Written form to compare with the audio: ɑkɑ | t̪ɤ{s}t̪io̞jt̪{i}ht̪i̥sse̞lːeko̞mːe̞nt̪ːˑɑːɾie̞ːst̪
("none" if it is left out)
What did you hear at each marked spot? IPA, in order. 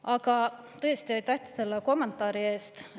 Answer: s, æ

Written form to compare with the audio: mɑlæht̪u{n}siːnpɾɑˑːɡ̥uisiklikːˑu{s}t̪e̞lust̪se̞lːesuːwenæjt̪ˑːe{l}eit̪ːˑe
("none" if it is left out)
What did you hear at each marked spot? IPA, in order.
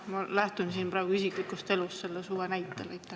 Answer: n, s, l

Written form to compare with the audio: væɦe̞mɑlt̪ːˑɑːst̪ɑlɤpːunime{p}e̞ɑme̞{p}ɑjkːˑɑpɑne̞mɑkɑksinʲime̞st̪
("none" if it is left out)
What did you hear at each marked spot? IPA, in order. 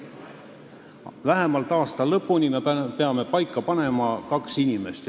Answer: p, p

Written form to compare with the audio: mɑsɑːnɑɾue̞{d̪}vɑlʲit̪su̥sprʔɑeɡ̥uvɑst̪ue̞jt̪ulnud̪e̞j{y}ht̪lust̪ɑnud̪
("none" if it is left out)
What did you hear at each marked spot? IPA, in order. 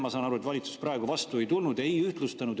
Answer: t̪, y

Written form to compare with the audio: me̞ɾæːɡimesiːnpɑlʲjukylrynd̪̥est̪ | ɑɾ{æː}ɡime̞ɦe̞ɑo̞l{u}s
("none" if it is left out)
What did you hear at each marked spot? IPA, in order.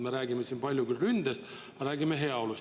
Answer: æː, u

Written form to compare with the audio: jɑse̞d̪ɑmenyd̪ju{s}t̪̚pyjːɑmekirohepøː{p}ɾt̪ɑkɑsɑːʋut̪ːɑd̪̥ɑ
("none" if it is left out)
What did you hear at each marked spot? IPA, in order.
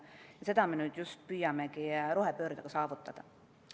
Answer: s, none

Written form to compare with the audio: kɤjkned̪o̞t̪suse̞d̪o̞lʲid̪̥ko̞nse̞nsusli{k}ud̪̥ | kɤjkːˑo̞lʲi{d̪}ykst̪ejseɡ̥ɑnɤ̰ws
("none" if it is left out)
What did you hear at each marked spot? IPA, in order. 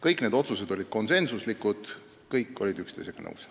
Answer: k, d̪

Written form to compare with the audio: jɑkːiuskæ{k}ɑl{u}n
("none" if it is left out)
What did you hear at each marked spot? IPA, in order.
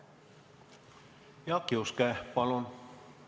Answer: p, o

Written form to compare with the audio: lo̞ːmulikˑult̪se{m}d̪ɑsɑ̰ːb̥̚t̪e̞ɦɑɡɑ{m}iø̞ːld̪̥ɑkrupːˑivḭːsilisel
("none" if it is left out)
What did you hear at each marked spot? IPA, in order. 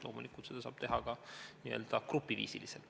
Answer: none, n

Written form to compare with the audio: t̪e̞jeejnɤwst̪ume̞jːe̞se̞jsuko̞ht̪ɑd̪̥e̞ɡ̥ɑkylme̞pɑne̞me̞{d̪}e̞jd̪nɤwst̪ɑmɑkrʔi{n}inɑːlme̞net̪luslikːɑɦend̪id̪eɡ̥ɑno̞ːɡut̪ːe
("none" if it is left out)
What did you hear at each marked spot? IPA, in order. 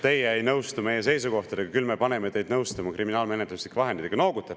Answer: t̪, m

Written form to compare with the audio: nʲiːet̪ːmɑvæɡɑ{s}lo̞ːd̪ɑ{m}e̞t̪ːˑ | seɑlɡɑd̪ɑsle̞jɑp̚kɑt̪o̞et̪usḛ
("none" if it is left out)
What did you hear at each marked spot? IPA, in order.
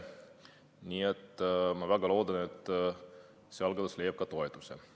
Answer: none, n

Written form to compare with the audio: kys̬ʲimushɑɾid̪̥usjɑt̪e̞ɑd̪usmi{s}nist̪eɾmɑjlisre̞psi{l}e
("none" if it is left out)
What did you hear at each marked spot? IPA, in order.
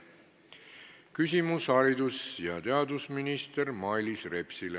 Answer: none, l

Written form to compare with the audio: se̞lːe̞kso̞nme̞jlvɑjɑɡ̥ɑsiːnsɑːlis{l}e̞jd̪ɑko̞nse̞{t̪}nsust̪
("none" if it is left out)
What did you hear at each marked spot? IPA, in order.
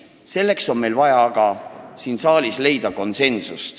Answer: l, none

